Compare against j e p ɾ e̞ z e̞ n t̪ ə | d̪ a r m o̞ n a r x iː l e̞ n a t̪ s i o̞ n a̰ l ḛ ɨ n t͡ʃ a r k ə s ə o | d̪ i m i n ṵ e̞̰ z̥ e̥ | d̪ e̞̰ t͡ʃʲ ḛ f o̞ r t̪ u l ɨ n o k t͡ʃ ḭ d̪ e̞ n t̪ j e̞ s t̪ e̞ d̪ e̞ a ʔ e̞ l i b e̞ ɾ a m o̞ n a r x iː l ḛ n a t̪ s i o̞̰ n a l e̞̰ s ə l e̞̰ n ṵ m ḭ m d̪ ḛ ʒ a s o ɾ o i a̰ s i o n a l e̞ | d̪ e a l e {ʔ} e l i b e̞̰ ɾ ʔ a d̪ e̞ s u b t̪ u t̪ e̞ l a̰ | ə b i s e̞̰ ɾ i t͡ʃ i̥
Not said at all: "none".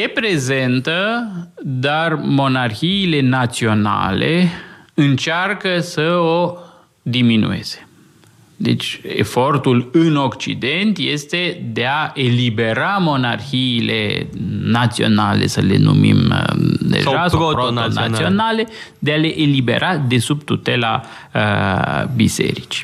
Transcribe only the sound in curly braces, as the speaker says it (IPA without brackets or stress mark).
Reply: ʔ